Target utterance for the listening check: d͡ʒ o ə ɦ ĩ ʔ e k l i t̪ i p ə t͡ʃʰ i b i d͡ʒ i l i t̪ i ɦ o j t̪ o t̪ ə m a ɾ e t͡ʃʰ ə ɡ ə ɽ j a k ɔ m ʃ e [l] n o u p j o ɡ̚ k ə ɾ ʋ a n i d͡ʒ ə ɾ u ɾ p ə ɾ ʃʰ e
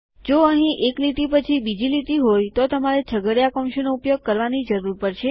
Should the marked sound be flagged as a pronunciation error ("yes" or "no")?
yes